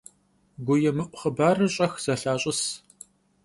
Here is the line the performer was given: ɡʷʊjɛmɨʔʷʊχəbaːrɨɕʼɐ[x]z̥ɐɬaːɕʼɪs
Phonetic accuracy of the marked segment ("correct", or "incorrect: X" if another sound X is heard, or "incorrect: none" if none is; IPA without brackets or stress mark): correct